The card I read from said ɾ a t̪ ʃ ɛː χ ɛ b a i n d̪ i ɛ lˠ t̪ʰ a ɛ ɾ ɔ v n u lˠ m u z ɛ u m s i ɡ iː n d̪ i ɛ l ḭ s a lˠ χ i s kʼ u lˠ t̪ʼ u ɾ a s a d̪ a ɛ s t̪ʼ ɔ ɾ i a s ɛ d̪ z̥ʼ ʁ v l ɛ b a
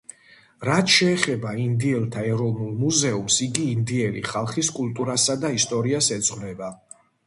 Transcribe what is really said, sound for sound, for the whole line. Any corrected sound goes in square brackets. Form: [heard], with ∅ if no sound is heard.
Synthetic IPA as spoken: ɾ a t̪ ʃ ɛː χ ɛ b a i n d̪ i ɛ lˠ t̪ʰ a ɛ ɾ ɔ v n u lˠ m u z ɛ u m s i ɡ iː n d̪ i ɛ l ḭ [χ] a lˠ χ i s kʼ u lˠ t̪ʼ u ɾ a s a d̪ a [i] s t̪ʼ ɔ ɾ i a s ɛ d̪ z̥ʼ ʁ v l ɛ b a